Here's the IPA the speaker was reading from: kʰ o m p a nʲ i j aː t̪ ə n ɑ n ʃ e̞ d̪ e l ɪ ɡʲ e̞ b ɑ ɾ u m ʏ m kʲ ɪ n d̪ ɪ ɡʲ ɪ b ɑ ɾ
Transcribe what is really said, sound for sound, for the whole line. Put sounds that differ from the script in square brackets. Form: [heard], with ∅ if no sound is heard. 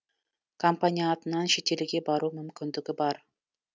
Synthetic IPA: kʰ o m p a nʲ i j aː t̪ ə n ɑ n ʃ e̞ [t̪] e l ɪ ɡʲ e̞ b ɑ ɾ u m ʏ m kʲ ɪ n d̪ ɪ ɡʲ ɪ b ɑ ɾ